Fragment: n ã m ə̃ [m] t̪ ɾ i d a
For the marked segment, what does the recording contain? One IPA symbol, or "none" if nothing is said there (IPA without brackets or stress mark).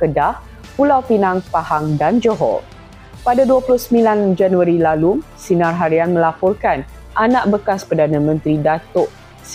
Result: n